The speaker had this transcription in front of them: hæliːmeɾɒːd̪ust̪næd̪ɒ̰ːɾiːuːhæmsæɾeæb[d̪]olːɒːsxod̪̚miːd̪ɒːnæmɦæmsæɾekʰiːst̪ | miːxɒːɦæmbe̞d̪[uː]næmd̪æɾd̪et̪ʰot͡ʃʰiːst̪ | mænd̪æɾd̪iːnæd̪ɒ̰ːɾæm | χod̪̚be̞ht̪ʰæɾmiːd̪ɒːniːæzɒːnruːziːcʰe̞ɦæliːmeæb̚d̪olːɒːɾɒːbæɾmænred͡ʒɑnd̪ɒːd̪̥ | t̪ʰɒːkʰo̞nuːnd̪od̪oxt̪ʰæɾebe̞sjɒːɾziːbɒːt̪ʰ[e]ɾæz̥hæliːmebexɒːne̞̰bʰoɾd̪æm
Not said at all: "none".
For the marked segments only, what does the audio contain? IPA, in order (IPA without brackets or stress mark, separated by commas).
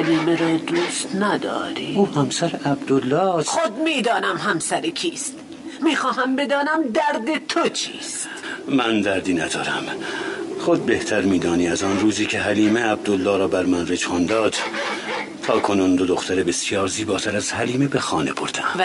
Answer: d̪, ɒː, æ